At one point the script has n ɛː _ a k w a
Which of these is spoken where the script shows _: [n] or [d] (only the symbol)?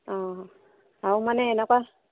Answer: n